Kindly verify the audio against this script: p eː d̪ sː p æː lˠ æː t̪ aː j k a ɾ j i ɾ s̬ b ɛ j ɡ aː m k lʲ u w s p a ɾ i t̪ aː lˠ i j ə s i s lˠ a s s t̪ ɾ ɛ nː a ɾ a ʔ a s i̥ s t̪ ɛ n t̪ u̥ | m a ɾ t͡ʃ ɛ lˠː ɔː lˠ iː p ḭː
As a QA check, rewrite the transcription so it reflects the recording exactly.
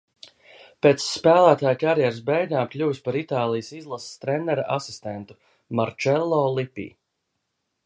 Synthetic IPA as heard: p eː t̪ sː p æː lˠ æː t̪ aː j k a ɾ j ɛ ɾ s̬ b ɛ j ɡ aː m k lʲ u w s p a ɾ i t̪ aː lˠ i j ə s i z lˠ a s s t̪ ɾ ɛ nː ɛ ɾ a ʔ a s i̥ s t̪ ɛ n t̪ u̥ | m a ɾ t͡ʃ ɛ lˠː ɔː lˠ i p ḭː